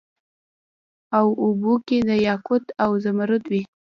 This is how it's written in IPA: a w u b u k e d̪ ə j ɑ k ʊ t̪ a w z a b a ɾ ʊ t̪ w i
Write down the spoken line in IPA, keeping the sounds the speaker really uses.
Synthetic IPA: a w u b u k e d̪ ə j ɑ k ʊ t̪ a w z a m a ɾ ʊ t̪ w i